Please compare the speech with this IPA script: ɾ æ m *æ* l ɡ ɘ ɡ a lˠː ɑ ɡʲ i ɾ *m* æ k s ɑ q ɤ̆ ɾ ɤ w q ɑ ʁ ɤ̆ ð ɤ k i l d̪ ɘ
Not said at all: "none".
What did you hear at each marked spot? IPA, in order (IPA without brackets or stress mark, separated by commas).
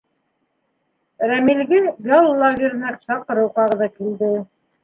i, n